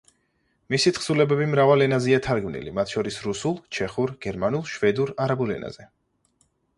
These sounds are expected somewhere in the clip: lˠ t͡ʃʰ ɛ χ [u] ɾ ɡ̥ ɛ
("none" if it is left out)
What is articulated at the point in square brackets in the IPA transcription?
u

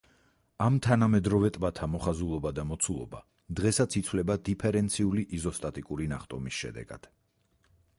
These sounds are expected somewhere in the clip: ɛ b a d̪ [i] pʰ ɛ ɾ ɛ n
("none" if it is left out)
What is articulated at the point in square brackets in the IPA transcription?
i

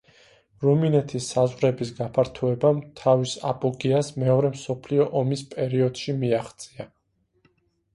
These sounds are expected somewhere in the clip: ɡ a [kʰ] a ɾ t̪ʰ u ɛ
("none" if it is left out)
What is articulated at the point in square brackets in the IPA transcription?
pʰ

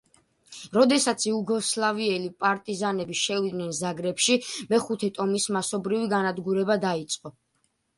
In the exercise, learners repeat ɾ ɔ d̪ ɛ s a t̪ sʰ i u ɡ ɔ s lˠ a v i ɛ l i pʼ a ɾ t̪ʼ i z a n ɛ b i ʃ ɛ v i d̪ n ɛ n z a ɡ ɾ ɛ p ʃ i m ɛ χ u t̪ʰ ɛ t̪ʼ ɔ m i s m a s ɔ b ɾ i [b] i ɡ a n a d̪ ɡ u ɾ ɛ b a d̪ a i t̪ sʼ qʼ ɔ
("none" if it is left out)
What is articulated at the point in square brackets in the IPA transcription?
v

